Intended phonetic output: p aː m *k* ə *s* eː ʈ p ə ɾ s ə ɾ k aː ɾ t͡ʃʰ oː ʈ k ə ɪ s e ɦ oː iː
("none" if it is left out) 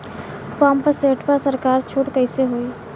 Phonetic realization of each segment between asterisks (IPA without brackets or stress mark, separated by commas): p, s